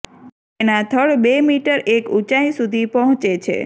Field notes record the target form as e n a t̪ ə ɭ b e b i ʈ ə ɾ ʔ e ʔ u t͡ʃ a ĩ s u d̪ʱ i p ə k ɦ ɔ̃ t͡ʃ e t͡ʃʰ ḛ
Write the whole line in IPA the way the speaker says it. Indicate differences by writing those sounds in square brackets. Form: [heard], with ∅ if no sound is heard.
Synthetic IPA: e n a [t̪ʰ] ə ɭ b e [m] i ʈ ə ɾ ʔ e [k] u t͡ʃ a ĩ s u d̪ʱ i p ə [∅] ɦ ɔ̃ t͡ʃ e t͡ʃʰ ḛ

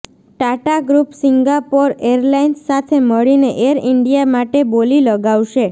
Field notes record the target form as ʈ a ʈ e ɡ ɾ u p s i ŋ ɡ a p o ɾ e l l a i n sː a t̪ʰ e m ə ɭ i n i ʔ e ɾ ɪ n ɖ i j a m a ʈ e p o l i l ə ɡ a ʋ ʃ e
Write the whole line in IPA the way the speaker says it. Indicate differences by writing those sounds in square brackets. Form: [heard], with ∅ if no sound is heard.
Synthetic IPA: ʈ a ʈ [a] ɡ ɾ u p s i ŋ ɡ a p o ɾ e [ɾ] l a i n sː a t̪ʰ e m ə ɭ i n [e] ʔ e ɾ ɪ [ɳ] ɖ i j a m a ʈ e [b] o l i l ə ɡ a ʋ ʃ e

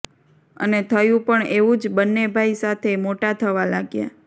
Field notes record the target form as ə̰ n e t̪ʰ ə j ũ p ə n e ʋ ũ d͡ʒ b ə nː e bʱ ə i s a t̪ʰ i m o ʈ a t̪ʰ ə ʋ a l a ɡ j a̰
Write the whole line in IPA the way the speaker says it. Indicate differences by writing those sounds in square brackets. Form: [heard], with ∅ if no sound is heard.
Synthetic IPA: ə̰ n e t̪ʰ ə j ũ p ə [ɳ] e ʋ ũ d͡ʒ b ə nː e bʱ [a] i s a t̪ʰ [e] m o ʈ a t̪ʰ ə ʋ a l a ɡ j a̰

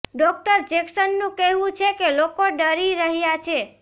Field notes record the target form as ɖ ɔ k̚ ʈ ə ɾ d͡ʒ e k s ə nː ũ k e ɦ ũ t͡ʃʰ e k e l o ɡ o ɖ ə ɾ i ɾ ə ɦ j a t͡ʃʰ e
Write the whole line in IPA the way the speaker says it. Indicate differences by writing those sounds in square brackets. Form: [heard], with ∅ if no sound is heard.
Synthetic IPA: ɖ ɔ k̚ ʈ ə ɾ d͡ʒ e k s ə nː ũ k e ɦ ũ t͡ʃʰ e k e l o [k] o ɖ ə ɾ i ɾ ə ɦ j a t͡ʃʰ e

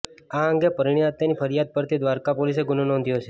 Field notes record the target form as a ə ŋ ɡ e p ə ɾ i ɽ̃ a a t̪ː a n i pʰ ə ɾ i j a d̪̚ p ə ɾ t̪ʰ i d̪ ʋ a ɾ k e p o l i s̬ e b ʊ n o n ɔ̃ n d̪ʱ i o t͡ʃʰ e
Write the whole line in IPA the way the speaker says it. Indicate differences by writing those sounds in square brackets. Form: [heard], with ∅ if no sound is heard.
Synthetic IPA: a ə ŋ ɡ e p ə ɾ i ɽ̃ [i] a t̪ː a n i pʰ ə ɾ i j a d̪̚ p ə ɾ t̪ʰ i d̪ ʋ a ɾ k [a] p o l i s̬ e [ɡ] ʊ n o n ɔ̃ n d̪ʱ [j] o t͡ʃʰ e

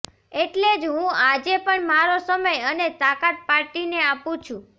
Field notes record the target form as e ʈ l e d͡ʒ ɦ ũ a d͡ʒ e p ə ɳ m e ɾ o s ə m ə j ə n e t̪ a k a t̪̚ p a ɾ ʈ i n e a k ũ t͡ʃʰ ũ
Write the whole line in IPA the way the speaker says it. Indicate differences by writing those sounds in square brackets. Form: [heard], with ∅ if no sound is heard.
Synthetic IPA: e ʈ l e d͡ʒ ɦ ũ a d͡ʒ e p ə ɳ m [a] ɾ o s ə m ə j ə n e t̪ a k a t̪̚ p a ɾ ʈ i n e a [p] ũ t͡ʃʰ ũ

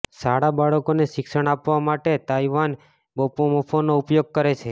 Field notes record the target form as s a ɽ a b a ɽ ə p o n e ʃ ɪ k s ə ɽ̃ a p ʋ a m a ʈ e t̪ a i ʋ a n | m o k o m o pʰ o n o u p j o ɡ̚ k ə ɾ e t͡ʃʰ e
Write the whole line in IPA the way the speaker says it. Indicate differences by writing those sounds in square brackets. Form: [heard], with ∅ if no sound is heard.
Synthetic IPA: s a ɽ a b a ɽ ə [k] o n e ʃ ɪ k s ə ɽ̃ a p ʋ a m a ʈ e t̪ a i ʋ a n | [b] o [p] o m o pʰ o n o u p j o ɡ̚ k ə ɾ e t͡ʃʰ e

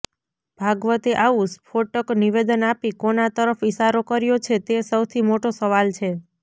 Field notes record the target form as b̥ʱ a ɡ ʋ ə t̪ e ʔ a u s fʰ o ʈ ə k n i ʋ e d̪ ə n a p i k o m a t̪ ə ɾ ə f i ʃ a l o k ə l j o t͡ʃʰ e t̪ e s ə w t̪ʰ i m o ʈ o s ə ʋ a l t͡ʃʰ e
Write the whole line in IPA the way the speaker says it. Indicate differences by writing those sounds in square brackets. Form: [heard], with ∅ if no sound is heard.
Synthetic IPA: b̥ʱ a ɡ ʋ ə t̪ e ʔ a u s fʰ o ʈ ə k n i ʋ e d̪ ə n a p i k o [n] a t̪ ə ɾ ə f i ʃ a [ɾ] o k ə [ɾ] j o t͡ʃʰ e t̪ e s ə w t̪ʰ i m o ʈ o s ə ʋ a l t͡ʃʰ e

